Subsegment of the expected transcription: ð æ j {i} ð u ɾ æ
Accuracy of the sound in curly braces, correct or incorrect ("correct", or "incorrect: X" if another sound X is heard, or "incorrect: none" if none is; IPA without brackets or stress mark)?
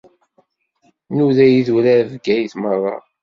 correct